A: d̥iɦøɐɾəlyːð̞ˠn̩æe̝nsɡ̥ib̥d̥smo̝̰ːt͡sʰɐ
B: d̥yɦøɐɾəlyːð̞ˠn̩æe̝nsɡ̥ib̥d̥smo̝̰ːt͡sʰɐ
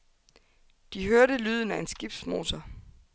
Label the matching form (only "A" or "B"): A